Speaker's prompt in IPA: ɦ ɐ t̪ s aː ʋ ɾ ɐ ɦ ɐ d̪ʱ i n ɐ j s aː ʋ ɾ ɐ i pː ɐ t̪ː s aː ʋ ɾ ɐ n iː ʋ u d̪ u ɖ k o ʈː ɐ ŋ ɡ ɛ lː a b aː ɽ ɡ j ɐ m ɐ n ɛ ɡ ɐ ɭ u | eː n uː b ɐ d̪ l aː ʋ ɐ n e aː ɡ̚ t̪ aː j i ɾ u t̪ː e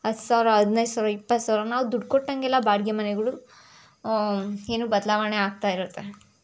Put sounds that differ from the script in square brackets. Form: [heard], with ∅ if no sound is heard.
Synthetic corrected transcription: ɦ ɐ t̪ s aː ʋ ɾ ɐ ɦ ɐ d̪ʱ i n ɐ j s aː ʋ ɾ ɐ i pː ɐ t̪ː s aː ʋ ɾ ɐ n [aː] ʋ u d̪ u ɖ k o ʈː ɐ ŋ ɡ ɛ lː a b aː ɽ ɡ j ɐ m ɐ n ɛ ɡ ɐ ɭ u | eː n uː b ɐ d̪ l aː ʋ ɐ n e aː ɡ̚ t̪ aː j i ɾ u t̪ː e

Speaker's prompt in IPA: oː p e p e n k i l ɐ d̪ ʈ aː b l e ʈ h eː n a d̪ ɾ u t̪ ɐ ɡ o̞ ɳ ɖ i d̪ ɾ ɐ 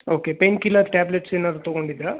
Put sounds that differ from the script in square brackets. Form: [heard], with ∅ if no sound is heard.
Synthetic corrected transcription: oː [k] e p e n k i l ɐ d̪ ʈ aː b l e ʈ [s] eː n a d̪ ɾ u t̪ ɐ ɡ o̞ ɳ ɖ i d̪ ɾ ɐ

